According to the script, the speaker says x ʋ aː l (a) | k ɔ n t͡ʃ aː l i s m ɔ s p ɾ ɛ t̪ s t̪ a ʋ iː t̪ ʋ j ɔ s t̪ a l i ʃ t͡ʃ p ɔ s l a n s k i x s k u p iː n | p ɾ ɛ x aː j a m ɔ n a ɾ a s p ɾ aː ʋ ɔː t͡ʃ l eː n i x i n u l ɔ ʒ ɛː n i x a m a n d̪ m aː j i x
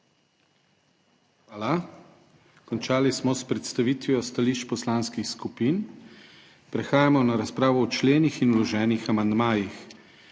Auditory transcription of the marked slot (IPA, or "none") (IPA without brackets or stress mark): a